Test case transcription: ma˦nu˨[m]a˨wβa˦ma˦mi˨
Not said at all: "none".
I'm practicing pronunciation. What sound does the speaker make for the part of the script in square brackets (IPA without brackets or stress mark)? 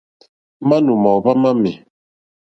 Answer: m